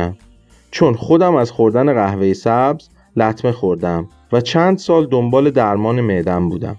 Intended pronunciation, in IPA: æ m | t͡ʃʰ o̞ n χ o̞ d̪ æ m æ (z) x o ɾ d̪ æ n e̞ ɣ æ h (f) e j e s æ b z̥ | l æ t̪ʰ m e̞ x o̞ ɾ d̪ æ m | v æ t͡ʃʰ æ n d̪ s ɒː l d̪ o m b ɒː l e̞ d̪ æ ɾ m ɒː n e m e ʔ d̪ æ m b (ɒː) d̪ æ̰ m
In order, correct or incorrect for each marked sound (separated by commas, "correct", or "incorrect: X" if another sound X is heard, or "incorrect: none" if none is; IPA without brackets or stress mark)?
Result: correct, incorrect: v, incorrect: uː